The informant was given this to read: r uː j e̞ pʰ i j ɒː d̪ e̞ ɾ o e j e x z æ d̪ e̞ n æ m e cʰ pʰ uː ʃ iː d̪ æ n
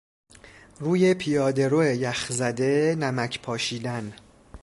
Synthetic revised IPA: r uː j e̞ pʰ i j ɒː d̪ e̞ ɾ o e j æ x z æ d̪ e̞ n æ m æ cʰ pʰ ɒː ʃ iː d̪ æ n